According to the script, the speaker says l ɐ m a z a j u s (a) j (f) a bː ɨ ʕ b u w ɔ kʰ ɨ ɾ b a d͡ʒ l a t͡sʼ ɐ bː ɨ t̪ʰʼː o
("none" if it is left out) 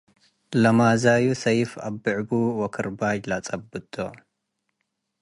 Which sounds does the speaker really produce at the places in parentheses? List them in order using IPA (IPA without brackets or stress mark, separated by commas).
ɐ, f